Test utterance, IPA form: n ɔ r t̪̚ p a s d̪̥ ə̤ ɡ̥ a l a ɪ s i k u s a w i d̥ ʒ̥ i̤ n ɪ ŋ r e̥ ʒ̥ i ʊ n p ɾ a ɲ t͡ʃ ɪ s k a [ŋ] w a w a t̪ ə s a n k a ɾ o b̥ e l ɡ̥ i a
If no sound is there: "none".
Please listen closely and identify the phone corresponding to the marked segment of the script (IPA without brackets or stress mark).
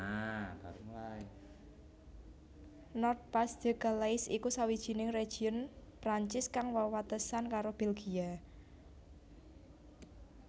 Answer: ŋ